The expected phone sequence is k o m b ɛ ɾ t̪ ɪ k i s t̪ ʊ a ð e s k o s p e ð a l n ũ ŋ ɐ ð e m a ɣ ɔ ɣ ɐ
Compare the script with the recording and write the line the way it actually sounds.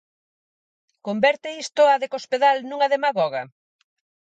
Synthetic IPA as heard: k o m b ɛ ɾ t̪ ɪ i s t̪ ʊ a ð e k o s p e ð a l n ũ ŋ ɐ ð e m a ɣ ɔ ɣ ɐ